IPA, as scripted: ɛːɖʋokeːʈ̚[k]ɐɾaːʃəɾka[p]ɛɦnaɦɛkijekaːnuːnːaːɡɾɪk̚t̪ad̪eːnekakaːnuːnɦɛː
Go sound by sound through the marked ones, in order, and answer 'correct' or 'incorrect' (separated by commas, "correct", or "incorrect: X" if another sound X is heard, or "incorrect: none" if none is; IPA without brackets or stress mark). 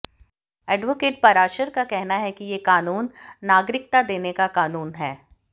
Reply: incorrect: p, incorrect: k